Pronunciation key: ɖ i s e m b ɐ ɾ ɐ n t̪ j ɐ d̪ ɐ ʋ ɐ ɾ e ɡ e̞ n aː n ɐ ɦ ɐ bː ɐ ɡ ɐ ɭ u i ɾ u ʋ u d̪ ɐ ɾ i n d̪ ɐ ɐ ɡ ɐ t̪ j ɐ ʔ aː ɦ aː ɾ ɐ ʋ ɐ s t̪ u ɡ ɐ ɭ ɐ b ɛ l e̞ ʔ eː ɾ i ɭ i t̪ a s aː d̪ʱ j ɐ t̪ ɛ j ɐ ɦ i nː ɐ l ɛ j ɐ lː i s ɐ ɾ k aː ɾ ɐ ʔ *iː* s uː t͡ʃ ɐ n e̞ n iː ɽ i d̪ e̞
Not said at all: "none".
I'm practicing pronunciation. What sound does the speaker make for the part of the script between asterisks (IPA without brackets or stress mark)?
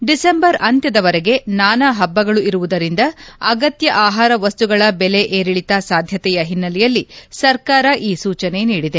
iː